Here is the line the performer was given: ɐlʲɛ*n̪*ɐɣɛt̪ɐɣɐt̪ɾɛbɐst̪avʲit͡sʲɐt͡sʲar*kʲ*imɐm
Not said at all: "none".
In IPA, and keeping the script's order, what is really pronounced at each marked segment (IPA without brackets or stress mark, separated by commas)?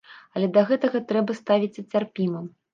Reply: d̪, pʲ